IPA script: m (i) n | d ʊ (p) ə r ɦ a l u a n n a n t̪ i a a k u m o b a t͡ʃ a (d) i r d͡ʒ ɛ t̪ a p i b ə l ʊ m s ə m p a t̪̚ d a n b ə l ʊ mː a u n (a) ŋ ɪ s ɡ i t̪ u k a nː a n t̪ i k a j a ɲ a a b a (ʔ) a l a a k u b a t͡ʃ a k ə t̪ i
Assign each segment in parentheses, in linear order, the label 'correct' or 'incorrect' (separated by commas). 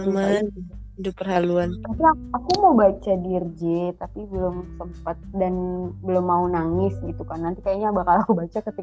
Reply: incorrect, correct, correct, correct, incorrect